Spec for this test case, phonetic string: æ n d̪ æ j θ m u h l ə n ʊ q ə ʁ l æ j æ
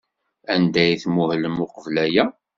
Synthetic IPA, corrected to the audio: æ n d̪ æ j θ m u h l ə m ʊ q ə v l æ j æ